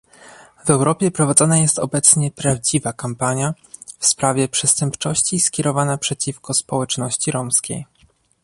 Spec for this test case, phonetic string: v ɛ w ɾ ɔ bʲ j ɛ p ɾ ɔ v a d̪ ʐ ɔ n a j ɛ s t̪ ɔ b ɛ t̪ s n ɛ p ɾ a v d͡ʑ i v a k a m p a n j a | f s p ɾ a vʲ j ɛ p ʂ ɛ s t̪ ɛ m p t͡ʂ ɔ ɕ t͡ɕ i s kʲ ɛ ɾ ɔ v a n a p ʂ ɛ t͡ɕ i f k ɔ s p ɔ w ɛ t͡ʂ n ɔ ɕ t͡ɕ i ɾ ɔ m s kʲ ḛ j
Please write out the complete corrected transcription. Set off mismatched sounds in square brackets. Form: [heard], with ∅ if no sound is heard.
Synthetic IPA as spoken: v ɛ w ɾ ɔ [pʲ] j ɛ p ɾ ɔ v a d̪ [z] ɔ n a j ɛ s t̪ ɔ b ɛ t̪ s [ɲ] ɛ p ɾ a v d͡ʑ i v a k a m p a [ɲ] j a | f s p ɾ a vʲ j ɛ p ʂ ɛ s t̪ ɛ m p t͡ʂ ɔ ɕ t͡ɕ i s kʲ ɛ ɾ ɔ v a n a p ʂ ɛ t͡ɕ i f k ɔ s p ɔ w ɛ t͡ʂ n ɔ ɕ t͡ɕ i ɾ ɔ m s kʲ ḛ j